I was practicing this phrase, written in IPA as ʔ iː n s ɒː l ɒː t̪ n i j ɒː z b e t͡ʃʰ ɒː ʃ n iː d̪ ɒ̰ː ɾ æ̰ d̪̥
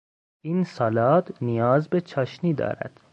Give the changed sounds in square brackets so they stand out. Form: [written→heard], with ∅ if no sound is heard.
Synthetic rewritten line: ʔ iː n s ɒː l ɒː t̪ n i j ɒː z b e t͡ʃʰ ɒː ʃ n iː d̪ ɒ̰ː ɾ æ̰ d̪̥